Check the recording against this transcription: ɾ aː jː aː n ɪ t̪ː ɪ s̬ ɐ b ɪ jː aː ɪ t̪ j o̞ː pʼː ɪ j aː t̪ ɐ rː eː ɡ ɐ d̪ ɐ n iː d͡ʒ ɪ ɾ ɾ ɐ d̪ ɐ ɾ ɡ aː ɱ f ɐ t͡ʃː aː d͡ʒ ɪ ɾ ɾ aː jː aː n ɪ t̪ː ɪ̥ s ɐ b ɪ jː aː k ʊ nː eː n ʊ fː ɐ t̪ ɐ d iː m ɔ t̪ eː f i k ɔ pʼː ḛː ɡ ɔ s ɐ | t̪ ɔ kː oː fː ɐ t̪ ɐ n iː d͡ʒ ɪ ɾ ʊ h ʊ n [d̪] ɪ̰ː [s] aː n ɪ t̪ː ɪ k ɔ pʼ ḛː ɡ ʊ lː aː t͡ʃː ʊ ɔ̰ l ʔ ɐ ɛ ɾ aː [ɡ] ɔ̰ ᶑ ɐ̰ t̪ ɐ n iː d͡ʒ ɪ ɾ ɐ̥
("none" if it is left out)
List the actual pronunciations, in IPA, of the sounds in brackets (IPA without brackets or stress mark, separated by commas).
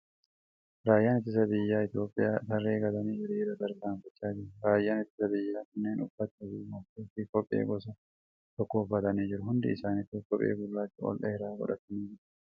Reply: d̪, s, ɡ